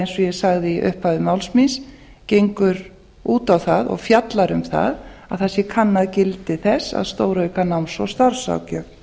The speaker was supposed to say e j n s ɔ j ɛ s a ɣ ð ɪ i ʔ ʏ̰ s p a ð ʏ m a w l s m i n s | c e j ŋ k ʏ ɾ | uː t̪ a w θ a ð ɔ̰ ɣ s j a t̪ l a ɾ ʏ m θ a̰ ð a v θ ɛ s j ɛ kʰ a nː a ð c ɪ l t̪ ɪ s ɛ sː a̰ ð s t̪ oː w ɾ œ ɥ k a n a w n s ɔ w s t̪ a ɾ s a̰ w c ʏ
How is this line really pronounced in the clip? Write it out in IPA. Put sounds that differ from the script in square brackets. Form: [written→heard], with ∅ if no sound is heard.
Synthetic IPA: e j n s ɔ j ɛ s a ɣ ð ɪ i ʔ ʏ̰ [s→h] p a ð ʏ m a w l s m i n s | c e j ŋ k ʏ ɾ | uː t̪ a w θ a ð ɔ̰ ɣ [s→f] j a t̪ l a ɾ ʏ m θ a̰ ð a [v→ð] θ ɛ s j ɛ kʰ a nː a ð c ɪ l t̪ ɪ [s→θ] ɛ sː a̰ ð s t̪ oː w ɾ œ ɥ k a n a w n s ɔ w s t̪ a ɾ s a̰ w c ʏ